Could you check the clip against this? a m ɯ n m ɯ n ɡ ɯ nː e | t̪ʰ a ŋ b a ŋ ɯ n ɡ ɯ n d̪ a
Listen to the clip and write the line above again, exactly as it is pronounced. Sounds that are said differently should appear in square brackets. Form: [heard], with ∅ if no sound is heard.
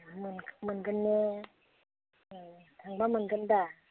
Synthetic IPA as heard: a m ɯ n m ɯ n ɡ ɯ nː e | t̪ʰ a ŋ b a [m] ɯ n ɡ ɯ n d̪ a